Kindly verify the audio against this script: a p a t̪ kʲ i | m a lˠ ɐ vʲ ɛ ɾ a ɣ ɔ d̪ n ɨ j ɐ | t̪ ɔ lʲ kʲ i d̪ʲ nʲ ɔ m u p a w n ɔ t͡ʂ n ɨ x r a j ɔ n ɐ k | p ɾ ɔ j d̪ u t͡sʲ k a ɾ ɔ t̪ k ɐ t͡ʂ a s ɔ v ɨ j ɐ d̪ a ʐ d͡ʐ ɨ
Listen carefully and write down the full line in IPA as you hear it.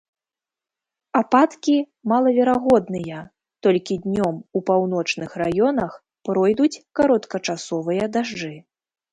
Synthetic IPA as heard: a p a t̪ kʲ i | m a lˠ ɐ vʲ ɛ ɾ a ɣ ɔ d̪ n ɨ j ɐ | t̪ ɔ lʲ kʲ i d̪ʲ nʲ ɔ m u p a w n ɔ t͡ʂ n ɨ x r a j ɔ n ɐ x | p ɾ ɔ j d̪ u t͡sʲ k a ɾ ɔ t̪ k ɐ t͡ʂ a s ɔ v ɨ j ɐ d̪ a ʐ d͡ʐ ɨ